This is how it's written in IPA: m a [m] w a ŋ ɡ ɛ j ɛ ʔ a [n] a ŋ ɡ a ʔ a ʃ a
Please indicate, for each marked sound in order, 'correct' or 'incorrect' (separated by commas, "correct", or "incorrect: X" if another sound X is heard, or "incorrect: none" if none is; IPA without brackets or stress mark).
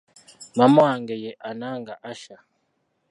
correct, correct